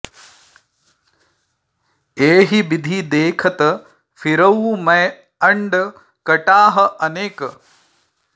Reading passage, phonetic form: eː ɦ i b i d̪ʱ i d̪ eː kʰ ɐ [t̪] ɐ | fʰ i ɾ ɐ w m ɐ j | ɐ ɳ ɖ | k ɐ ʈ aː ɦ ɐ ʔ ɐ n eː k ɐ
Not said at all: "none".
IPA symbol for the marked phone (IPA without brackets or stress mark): t̪